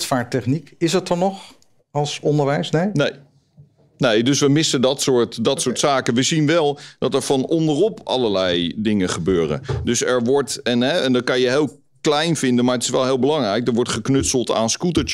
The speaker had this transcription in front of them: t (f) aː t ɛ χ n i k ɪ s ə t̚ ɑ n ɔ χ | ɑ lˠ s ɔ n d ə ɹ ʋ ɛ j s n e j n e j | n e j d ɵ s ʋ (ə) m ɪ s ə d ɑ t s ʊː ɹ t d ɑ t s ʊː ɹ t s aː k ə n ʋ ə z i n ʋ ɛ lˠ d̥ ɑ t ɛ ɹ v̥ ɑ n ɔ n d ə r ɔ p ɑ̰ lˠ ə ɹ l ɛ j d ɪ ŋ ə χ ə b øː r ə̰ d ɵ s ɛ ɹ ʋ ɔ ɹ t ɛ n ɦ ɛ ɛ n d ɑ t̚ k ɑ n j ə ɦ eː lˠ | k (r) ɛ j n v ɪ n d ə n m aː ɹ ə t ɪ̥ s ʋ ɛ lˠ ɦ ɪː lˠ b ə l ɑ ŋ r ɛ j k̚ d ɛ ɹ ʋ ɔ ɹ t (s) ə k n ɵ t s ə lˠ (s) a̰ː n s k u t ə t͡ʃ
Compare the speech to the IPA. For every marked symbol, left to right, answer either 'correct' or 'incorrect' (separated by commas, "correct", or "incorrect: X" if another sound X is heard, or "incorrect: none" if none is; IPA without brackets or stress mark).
correct, correct, incorrect: l, incorrect: χ, incorrect: t